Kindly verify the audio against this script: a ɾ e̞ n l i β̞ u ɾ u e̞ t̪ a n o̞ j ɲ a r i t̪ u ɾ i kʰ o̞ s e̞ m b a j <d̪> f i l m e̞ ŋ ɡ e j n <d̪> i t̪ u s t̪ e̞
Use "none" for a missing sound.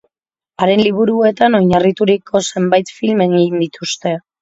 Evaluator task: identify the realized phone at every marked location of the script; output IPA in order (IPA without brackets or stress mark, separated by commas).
t̪, d̪